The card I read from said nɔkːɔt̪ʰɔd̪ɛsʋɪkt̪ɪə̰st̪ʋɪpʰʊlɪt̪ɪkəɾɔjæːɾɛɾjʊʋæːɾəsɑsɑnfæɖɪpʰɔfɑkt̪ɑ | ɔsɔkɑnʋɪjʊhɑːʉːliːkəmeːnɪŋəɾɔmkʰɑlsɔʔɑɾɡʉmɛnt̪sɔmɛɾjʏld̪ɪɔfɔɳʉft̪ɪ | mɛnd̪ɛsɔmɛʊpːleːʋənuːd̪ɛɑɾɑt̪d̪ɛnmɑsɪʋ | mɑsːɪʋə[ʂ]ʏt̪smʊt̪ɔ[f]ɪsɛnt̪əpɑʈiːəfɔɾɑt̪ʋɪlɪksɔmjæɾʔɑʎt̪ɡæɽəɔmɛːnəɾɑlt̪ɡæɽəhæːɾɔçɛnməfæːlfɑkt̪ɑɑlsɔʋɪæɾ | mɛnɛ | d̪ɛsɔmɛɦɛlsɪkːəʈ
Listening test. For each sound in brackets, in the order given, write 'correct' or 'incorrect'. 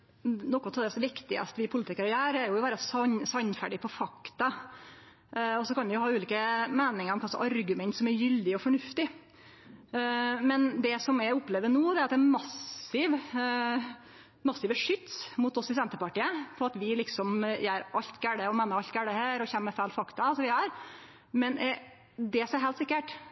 correct, incorrect: s

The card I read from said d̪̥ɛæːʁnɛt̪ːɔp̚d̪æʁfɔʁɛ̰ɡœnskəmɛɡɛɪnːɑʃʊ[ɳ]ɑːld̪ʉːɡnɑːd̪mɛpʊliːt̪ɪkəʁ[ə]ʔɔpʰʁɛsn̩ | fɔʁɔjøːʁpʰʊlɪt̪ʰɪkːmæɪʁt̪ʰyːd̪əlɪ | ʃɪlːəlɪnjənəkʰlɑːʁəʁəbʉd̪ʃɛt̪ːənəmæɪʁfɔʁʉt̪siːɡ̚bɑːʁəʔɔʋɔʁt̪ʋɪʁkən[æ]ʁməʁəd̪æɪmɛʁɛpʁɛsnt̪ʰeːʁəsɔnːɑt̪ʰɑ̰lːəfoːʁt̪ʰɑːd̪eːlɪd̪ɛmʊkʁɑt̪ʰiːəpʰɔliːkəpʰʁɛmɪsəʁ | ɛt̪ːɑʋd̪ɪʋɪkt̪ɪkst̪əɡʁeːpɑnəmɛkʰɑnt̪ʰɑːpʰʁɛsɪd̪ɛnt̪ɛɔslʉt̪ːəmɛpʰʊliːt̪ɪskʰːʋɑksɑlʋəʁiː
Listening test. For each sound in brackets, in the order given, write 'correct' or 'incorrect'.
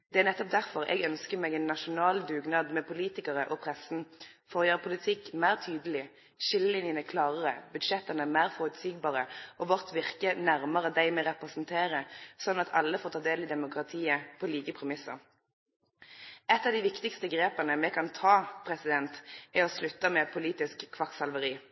incorrect: n, correct, correct

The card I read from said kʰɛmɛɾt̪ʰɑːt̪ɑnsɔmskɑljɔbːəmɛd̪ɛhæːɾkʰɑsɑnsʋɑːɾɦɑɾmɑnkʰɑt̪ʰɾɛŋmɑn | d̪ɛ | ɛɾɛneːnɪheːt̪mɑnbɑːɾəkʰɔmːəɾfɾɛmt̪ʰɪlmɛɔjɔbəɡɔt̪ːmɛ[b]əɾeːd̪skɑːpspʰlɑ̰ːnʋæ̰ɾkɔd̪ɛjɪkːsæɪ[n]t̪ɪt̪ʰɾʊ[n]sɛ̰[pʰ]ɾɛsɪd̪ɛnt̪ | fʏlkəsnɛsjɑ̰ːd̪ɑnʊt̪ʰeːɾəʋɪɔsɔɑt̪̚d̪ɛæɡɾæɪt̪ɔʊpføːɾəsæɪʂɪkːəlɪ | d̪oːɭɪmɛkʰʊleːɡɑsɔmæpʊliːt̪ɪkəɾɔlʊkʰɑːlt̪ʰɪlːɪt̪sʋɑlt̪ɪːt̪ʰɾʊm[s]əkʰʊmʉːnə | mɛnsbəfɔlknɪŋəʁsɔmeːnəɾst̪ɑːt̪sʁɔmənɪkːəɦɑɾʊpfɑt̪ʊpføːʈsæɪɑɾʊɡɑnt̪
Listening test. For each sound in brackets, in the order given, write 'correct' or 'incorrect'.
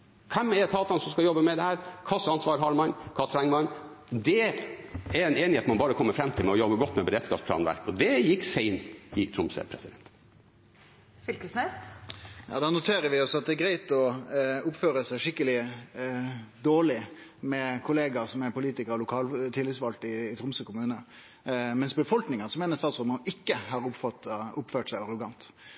correct, correct, incorrect: m, correct, correct

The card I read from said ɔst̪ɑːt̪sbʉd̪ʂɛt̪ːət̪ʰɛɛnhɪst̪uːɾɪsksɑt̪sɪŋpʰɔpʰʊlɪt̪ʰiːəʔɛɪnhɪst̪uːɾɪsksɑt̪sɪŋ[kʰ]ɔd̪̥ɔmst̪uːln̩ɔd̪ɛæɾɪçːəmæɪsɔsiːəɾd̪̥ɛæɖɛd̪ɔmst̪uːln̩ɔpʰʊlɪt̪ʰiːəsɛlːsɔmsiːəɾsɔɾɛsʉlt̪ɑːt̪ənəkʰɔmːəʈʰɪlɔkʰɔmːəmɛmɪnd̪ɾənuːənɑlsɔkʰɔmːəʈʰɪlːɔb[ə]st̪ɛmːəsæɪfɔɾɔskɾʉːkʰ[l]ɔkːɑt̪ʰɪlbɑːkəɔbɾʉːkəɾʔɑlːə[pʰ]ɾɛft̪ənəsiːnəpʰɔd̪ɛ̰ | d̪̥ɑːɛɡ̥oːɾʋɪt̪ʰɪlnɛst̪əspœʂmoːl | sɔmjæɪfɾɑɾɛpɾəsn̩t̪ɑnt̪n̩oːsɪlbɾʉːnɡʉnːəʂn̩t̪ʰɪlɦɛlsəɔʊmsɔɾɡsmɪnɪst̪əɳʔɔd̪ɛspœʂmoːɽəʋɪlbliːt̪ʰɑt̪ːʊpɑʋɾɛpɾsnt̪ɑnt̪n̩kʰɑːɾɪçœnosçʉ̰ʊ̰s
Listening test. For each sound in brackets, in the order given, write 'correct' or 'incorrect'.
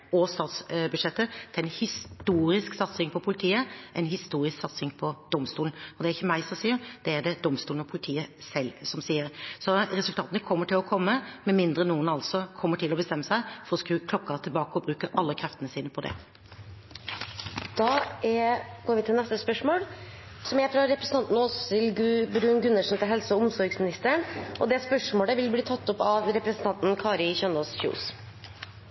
incorrect: pʰ, correct, correct, incorrect: kʰ

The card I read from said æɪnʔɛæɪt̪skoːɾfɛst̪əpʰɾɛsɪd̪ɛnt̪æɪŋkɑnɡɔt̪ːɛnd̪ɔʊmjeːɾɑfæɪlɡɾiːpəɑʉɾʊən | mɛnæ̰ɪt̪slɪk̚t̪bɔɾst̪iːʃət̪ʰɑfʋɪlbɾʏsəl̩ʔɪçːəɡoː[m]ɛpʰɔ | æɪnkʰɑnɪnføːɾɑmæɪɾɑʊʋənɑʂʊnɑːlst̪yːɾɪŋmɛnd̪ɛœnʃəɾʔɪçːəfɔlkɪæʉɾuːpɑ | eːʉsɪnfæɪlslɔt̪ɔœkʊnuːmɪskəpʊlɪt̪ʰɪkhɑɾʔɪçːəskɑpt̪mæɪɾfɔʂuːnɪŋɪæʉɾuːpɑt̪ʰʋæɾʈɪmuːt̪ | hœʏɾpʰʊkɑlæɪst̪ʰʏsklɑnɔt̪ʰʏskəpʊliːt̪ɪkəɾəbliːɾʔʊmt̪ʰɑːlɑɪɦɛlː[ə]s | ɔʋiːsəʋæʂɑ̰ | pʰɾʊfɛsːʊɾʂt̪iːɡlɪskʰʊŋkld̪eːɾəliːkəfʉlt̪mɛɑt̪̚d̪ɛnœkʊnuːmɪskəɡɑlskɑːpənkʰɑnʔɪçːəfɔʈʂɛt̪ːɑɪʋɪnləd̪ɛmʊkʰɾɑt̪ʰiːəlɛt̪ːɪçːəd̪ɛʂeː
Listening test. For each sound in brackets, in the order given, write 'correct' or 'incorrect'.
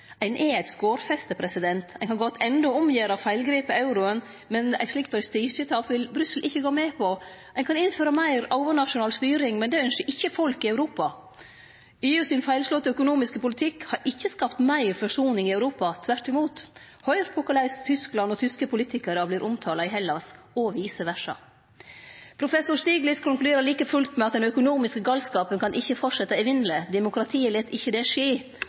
correct, incorrect: ɑ

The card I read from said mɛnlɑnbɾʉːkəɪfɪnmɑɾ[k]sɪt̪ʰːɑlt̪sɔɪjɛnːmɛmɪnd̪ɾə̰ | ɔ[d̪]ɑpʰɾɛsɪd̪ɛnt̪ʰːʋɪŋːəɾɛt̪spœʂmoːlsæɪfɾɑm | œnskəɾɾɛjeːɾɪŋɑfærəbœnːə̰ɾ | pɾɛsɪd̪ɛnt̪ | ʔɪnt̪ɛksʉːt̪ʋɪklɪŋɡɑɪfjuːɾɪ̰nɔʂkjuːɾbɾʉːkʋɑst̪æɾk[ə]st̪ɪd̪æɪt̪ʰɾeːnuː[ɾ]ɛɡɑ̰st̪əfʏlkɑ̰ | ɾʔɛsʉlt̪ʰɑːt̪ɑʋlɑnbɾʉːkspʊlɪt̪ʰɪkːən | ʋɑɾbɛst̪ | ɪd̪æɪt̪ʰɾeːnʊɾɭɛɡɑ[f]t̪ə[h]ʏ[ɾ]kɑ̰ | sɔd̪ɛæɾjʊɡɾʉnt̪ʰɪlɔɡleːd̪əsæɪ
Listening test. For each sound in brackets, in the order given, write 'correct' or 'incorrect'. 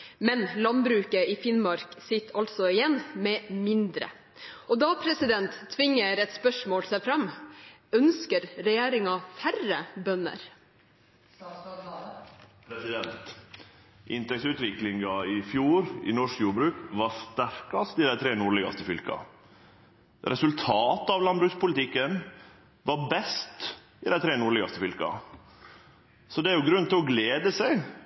correct, correct, incorrect: ɑ, incorrect: ɭ, incorrect: s, incorrect: f, incorrect: l

